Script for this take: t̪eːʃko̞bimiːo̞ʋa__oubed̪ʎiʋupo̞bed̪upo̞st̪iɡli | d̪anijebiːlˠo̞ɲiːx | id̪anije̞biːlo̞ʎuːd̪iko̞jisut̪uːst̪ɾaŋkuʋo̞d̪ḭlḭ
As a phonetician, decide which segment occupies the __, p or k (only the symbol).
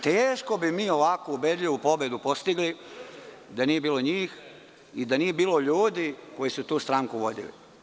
k